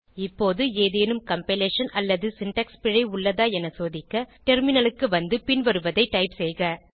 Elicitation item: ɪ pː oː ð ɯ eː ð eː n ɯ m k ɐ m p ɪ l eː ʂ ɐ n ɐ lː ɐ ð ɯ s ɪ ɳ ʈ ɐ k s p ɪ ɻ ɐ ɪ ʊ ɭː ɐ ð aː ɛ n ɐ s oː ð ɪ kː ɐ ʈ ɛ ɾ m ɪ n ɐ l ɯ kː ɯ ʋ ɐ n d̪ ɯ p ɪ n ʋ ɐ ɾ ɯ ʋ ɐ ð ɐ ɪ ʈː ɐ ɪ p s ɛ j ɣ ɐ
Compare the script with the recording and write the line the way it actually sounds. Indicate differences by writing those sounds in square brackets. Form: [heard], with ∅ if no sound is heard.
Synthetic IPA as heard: ɪ pː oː ð ɯ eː ð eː n ɯ m k ɐ m p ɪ l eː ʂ ɐ n ɐ lː ɐ ð ɯ s ɪ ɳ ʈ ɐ k s p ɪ ɻ ɐ ɪ ʊ ɭː ɐ ð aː ɛ n ɐ s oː ð ɪ kː ɐ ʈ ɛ ɾ m ɪ n ɐ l ɯ kː ɯ ʋ ɐ n d̪ ɯ p ɪ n ʋ ɐ ɾ ɯ ʋ ɐ ð ɐ ɪ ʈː ɐ ɪ p s ɛ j ɣ ɐ